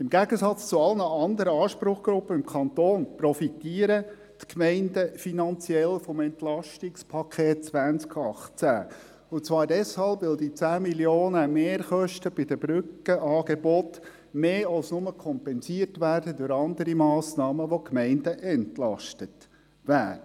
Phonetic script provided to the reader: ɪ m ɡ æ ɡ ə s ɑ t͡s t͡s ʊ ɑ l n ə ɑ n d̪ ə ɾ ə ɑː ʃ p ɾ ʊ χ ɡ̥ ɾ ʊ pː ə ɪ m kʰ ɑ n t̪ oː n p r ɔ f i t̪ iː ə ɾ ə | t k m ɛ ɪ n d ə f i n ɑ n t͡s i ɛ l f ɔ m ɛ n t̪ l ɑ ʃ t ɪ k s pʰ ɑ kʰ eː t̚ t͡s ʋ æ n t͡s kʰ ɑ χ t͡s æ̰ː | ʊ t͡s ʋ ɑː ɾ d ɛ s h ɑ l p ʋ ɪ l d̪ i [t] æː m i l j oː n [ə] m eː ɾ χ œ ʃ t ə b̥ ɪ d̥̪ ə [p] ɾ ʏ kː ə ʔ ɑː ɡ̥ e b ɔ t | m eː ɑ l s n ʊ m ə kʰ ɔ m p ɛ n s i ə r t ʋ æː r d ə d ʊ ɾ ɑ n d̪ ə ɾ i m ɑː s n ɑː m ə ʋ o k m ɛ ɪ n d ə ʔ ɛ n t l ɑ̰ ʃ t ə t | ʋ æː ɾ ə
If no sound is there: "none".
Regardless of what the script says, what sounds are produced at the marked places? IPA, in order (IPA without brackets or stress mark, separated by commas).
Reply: t͡s, ə, b